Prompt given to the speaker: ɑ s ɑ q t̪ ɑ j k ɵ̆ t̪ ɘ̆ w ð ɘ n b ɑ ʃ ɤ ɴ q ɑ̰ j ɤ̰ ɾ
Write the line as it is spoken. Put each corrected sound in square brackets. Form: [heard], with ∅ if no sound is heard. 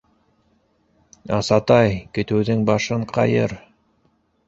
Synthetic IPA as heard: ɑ s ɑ [∅] t̪ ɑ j k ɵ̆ t̪ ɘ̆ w ð ɘ [ŋ] b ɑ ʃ ɤ ɴ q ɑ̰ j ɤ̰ ɾ

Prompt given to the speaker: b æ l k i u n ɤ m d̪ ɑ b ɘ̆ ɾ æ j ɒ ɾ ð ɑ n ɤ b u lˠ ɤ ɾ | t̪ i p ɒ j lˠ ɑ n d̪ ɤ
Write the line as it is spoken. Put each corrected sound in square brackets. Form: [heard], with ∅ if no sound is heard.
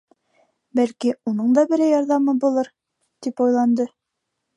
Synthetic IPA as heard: b æ l k i u n ɤ [ɴ] d̪ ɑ b ɘ̆ ɾ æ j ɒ ɾ ð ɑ [m] ɤ b u lˠ ɤ ɾ | t̪ i p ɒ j lˠ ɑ n d̪ ɤ

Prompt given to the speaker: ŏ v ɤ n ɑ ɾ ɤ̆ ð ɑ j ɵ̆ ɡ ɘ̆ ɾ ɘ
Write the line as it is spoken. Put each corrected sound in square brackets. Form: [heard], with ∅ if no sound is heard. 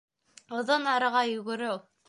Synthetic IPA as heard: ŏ [ð] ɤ n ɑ ɾ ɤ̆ [ʁ] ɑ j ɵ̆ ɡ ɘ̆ ɾ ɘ

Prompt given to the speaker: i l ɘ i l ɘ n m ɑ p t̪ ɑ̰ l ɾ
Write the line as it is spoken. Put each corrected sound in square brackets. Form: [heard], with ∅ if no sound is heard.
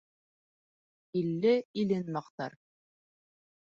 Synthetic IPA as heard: i [lː] ɘ i l ɘ n m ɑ [q] t̪ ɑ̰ [∅] ɾ

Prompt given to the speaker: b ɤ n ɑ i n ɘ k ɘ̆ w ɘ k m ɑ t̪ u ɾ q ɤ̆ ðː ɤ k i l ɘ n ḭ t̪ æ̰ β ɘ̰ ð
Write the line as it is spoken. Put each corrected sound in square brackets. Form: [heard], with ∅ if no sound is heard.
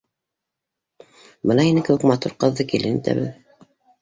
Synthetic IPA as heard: b ɤ n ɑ i n ɘ k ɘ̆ w ɘ k m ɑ t̪ u ɾ q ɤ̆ ðː ɤ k i l ɘ n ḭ t̪ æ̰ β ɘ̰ ð

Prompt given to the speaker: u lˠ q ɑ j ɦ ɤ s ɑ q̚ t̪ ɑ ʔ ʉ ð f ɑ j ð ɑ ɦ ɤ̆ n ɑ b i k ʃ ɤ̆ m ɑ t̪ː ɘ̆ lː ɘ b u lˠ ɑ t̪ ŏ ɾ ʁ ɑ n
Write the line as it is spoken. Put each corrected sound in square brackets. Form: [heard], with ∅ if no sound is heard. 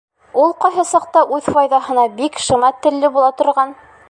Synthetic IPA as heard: u lˠ q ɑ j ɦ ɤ s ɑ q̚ t̪ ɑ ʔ ʉ ð f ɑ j ð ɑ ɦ ɤ̆ n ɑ b i k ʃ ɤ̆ m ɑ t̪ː ɘ̆ lː ɘ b u lˠ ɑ t̪ ŏ ɾ ʁ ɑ n

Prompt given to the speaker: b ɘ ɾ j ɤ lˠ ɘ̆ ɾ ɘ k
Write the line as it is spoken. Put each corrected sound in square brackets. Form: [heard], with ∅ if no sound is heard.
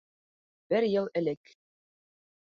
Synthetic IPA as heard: b ɘ ɾ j ɤ lˠ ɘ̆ [l] ɘ k

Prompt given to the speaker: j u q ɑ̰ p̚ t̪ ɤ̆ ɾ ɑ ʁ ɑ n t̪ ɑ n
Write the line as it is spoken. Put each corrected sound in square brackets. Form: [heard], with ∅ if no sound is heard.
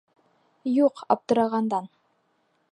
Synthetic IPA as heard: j u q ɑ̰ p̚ t̪ ɤ̆ ɾ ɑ ʁ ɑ n [d̪] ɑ n

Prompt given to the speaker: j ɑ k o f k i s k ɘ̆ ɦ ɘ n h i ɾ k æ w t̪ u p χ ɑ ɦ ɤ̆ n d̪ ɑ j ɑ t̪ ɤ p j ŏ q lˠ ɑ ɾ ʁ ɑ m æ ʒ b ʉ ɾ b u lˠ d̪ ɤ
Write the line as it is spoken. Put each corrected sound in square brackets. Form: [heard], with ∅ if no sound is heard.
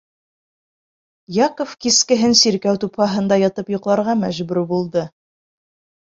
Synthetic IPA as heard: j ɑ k o f k i s k ɘ̆ ɦ ɘ n [s] i ɾ k æ w t̪ u p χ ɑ ɦ ɤ̆ n d̪ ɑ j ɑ t̪ ɤ p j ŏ q lˠ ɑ ɾ ʁ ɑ m æ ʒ b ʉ ɾ b u lˠ d̪ ɤ

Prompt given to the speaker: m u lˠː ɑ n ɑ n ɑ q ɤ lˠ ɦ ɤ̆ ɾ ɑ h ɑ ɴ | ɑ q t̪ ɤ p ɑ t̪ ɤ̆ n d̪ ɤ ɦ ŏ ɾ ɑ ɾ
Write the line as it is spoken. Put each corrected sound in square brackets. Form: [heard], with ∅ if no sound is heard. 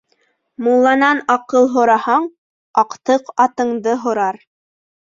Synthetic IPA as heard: m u lˠː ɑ n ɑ n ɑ q ɤ lˠ ɦ [ŏ] ɾ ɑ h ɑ ɴ | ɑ q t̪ ɤ [q] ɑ t̪ ɤ̆ [ɴ] d̪ ɤ ɦ ŏ ɾ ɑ ɾ

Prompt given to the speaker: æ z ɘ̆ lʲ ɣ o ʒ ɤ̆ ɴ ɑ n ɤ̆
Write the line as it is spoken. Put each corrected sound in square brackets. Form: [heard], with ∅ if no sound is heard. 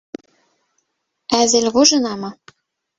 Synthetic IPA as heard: æ z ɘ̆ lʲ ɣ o ʒ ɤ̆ [n] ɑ [m] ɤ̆

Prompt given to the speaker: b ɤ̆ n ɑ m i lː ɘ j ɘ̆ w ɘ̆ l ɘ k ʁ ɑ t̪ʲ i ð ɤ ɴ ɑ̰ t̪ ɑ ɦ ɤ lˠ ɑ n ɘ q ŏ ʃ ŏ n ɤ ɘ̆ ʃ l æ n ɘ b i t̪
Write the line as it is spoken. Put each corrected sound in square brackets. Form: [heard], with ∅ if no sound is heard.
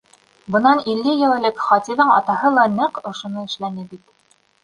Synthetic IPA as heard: b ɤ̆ n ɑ [n] i lː ɘ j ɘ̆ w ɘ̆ l ɘ k [χ] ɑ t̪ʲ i ð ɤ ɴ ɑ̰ t̪ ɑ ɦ ɤ lˠ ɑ n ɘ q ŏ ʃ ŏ n ɤ ɘ̆ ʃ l æ n ɘ b i t̪

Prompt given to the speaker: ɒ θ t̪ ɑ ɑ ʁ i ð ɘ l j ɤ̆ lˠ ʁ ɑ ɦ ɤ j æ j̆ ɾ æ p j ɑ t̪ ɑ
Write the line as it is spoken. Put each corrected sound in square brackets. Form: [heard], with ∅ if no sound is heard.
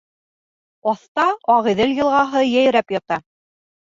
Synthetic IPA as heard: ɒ θ t̪ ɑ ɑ ʁ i ð ɘ l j ɤ̆ lˠ ʁ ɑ ɦ ɤ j æ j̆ ɾ æ p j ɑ t̪ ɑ

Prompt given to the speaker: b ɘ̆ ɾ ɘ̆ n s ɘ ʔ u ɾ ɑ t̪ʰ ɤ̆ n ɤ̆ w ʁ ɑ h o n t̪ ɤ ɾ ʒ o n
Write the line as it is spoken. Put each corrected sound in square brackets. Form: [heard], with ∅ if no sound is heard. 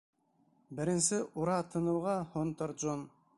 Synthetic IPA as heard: b ɘ̆ ɾ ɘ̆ n s ɘ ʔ u ɾ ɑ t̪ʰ ɤ̆ n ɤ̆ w ʁ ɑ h o n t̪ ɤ ɾ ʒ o n

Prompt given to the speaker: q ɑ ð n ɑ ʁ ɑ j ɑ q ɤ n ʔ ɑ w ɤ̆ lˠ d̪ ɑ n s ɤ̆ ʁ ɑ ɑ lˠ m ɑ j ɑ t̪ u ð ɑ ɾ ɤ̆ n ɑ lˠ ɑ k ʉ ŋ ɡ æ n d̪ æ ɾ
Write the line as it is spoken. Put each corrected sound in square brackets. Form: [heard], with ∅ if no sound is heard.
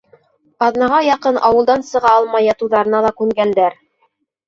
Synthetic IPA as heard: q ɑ ð n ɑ ʁ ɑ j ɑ q ɤ n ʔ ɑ w ɤ̆ lˠ d̪ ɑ n s ɤ̆ ʁ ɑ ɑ lˠ m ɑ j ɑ t̪ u ð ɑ ɾ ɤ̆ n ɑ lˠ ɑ k ʉ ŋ ɡ æ n d̪ æ ɾ

